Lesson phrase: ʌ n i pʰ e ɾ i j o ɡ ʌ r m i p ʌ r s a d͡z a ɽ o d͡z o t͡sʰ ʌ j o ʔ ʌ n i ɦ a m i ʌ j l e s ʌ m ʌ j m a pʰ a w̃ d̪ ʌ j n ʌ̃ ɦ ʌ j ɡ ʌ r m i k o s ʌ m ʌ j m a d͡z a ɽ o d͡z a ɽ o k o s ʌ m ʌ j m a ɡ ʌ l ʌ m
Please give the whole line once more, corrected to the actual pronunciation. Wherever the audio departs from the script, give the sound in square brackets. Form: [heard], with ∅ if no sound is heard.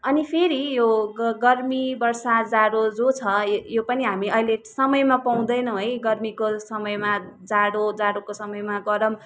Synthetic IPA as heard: ʌ n i pʰ e ɾ i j o ɡ ʌ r m i [b] ʌ r s a d͡z a ɽ o d͡z o t͡sʰ ʌ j o [p] ʌ n i ɦ a m i ʌ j l e s ʌ m ʌ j m a [p] a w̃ d̪ ʌ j n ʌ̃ ɦ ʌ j ɡ ʌ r m i k o s ʌ m ʌ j m a d͡z a ɽ o d͡z a ɽ o k o s ʌ m ʌ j m a ɡ ʌ [ɾ] ʌ m